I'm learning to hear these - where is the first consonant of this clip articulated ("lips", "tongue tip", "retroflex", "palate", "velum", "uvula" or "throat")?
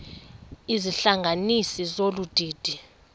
tongue tip